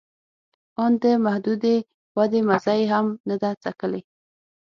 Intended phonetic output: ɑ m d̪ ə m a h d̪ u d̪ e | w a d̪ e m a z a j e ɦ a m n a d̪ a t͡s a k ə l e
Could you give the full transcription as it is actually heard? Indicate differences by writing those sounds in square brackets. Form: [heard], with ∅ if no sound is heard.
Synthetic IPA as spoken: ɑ [n] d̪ ə m a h d̪ u d̪ e | w a d̪ e m a z a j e ɦ a m n a d̪ a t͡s a k ə l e

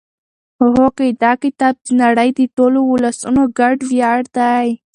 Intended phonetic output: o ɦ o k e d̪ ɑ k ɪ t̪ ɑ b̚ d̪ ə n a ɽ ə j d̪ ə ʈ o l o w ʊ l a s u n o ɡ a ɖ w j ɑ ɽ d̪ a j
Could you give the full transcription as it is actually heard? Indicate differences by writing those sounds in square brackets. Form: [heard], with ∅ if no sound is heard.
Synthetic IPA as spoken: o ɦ o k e d̪ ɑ k ɪ t̪ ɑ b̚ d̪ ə n a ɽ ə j d̪ ə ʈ o l o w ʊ l a s u n o ɡ a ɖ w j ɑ ɽ d̪ a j

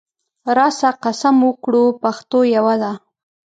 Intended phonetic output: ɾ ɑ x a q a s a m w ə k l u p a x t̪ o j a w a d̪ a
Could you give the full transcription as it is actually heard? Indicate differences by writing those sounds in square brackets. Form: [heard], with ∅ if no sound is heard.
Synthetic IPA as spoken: ɾ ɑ [s] a q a s a m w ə k [ɽ] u p a x t̪ o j a w a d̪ a

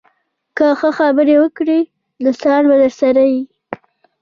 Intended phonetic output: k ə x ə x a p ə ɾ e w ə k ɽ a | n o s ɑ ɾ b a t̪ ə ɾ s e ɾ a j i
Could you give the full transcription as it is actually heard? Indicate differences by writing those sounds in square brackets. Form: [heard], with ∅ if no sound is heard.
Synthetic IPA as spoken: k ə x ə x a [b] ə ɾ e w ə k ɽ [i] | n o s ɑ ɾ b a [d̪] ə ɾ s [a] ɾ a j i

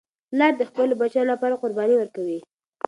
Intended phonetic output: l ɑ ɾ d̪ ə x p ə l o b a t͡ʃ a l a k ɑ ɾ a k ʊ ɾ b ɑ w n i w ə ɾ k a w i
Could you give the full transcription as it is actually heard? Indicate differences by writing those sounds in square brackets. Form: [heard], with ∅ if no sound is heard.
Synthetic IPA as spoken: l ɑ ɾ d̪ ə x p ə l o b a t͡ʃ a l a [p] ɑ ɾ a [q] ʊ ɾ b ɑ [∅] n i w ə ɾ k a w i

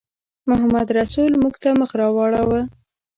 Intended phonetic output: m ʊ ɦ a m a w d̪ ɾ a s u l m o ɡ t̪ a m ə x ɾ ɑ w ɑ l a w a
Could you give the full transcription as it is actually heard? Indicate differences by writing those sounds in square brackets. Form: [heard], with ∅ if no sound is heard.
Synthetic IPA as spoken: m ʊ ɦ a m a [∅] d̪ ɾ a s u l m [u] ɡ t̪ a m ə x ɾ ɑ w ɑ [ɽ] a w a

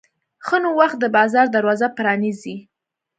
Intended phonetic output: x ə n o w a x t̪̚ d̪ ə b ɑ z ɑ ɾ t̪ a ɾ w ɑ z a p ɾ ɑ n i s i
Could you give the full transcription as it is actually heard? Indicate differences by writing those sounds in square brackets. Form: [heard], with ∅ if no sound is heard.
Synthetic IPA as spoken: x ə n o w a x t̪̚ d̪ ə b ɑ z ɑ ɾ [d̪] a ɾ w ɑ z a p ɾ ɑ n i [z] i

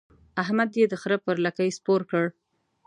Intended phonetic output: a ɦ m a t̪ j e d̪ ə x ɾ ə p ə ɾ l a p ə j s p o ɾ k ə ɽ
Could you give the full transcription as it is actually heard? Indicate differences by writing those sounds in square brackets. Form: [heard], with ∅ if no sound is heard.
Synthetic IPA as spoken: a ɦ m a [d̪] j e d̪ ə x ɾ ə p ə ɾ l a [k] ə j s p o ɾ k ə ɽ

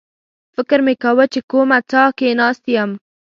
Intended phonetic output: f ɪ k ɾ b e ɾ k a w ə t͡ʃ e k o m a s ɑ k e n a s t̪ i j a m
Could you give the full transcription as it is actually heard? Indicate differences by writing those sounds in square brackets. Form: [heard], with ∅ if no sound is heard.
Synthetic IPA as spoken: f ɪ k ɾ [m] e [∅] k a w ə t͡ʃ e k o m a [t͡s] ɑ k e n [ɑ] s t̪ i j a m

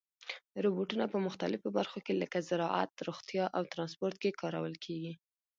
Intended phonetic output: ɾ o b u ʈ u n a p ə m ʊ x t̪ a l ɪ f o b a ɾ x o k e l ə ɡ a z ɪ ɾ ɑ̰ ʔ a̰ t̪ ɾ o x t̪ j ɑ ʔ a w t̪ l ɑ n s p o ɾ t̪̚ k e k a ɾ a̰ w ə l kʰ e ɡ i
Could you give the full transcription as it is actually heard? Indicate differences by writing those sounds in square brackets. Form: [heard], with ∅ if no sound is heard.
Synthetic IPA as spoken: ɾ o b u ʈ u n a p ə m ʊ x t̪ a l ɪ f o b a ɾ x o k e l ə [k] a z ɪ ɾ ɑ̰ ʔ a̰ t̪ ɾ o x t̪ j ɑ ʔ a w t̪ [ɾ] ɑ n s p o ɾ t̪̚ k e k [ɑ] ɾ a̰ w ə l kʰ e ɡ i

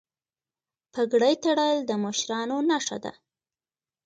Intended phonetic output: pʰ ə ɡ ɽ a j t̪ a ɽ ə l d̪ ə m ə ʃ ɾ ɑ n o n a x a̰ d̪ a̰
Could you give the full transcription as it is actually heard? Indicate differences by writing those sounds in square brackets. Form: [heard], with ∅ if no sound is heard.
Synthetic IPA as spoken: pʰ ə ɡ ɽ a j t̪ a ɽ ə l d̪ ə m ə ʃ ɾ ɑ n o n a [ʂ] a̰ d̪ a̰

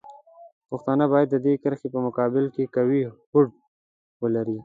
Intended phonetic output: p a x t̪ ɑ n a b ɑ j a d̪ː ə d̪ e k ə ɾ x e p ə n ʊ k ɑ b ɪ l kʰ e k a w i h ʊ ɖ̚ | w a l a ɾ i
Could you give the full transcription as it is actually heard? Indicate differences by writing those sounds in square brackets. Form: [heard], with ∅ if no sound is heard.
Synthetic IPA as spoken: p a x t̪ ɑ n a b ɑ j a d̪ː ə d̪ e k ə ɾ x e p ə [m] ʊ k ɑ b ɪ l [k] e k a w i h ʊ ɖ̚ | w [ə] l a ɾ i

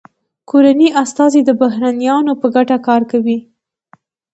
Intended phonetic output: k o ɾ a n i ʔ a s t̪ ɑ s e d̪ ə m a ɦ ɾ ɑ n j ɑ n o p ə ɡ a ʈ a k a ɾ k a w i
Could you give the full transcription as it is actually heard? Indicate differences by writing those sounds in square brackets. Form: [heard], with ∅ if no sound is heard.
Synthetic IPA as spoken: k o ɾ a n i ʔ a s t̪ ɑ [z] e d̪ ə [b] a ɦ ɾ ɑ n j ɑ n o p ə ɡ a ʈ a k [ɑ] ɾ k a w i

